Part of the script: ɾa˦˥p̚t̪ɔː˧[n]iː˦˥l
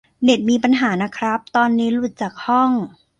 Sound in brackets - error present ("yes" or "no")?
yes